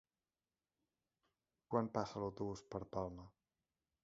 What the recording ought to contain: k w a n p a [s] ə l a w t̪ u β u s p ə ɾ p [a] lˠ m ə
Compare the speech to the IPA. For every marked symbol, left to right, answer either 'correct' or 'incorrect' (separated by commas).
correct, correct